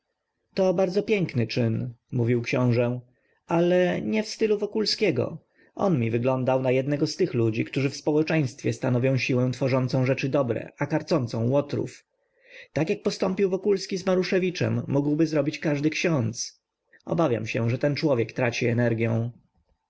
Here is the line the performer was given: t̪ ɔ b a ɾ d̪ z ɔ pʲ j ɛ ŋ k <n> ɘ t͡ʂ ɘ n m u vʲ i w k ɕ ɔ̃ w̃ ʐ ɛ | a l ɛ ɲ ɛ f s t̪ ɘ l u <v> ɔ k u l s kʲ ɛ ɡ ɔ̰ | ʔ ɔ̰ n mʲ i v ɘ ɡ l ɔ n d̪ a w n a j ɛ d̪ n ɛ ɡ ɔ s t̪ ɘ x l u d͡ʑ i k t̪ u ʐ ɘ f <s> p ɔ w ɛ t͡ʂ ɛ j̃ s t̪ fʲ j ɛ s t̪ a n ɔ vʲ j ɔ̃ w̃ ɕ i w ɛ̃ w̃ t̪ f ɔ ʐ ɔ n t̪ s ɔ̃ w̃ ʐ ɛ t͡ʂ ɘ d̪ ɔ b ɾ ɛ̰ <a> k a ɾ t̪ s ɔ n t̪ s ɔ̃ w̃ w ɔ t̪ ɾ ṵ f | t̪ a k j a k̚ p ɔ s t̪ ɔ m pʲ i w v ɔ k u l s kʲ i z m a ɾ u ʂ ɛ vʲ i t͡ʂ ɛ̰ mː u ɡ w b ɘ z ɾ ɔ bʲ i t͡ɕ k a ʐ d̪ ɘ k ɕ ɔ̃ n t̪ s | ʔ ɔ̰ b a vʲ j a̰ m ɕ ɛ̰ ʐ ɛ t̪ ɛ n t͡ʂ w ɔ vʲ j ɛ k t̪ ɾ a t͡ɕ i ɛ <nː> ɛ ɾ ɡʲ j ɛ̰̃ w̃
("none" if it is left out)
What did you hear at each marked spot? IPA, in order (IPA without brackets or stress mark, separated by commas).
n, v, s, a, n